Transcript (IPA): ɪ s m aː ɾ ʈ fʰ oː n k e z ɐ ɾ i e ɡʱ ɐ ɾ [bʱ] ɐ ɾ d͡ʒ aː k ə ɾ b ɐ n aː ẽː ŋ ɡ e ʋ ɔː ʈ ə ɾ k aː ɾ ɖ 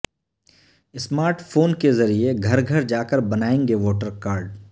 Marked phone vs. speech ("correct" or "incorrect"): incorrect